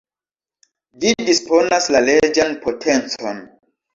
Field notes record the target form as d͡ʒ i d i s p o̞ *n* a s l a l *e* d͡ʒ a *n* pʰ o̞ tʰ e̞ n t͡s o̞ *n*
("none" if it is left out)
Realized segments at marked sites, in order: n, e, n, n

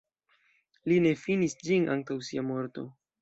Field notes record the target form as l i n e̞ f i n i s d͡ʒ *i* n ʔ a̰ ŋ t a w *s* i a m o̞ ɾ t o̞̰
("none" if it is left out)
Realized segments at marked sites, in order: i, s

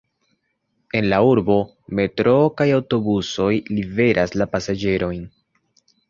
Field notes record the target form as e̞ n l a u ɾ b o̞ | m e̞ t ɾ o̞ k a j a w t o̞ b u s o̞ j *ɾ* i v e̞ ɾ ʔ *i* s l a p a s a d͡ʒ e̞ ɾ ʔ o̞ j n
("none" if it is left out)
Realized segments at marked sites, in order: l, a

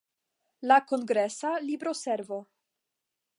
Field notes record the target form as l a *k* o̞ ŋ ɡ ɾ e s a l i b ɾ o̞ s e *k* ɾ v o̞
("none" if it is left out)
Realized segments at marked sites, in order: k, none

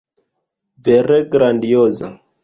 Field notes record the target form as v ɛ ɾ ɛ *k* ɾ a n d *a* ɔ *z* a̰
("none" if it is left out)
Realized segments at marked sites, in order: ɡ, i, z

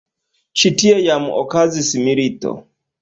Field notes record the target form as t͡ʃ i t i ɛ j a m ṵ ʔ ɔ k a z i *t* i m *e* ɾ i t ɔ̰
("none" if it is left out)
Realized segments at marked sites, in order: s, i

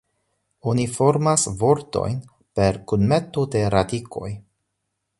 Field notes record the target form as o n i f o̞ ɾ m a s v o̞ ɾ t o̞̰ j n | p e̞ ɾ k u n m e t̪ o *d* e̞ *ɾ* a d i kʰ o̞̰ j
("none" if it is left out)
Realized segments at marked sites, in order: d, ɾ

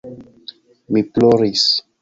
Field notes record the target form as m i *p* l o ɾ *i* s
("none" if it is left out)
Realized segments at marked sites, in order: p, i

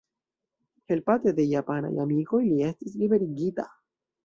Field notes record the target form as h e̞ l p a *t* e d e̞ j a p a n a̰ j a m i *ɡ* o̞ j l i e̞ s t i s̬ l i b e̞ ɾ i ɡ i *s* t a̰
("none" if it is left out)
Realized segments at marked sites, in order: t, k, none

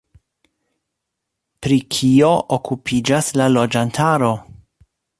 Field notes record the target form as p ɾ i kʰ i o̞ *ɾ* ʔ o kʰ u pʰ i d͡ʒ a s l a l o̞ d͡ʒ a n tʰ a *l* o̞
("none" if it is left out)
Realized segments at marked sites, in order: none, ɾ

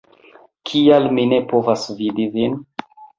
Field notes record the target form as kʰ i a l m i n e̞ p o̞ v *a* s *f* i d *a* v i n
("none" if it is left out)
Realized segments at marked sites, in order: a, v, i

